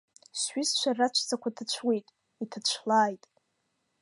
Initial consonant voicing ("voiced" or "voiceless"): voiceless